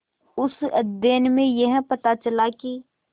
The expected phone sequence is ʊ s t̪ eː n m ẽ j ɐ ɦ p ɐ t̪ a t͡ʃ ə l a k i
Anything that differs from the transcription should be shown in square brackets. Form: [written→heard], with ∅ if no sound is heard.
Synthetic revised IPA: ʊ s [t̪→d̪] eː n m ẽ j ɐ ɦ p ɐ t̪ a t͡ʃ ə l a k i